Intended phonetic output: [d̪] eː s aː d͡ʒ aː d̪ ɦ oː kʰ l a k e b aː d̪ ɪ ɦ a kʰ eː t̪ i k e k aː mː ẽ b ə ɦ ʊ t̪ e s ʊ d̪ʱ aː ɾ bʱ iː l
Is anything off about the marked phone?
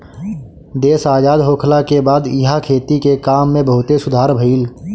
no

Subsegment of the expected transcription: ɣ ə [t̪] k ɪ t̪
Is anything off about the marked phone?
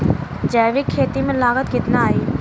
no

